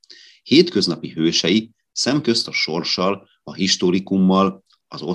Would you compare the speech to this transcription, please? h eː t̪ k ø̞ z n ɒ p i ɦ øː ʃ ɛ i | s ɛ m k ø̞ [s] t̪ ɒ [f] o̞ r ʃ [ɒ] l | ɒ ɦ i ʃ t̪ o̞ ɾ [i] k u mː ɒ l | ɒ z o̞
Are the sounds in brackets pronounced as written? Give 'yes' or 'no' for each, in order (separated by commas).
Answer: yes, no, yes, yes